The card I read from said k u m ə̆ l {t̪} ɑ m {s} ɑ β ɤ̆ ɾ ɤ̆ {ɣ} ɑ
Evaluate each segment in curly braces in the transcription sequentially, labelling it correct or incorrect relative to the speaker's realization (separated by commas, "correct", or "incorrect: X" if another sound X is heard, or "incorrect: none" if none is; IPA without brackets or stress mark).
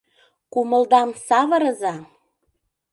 incorrect: d̪, correct, incorrect: z